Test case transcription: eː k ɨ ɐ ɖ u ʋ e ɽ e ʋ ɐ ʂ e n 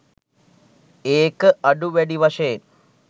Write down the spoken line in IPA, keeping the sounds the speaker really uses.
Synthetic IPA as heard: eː k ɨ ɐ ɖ u ʋ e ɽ i ʋ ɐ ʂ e n